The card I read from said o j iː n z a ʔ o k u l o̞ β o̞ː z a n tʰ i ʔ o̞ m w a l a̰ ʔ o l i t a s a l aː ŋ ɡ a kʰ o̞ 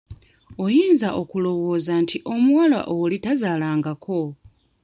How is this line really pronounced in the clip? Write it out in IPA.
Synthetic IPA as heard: o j iː n z a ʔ o k u l o̞ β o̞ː z a n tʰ i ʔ o̞ m w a l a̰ ʔ o l i t a z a l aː ŋ ɡ a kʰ o̞